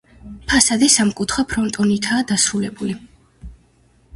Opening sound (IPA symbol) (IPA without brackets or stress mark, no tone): pʰ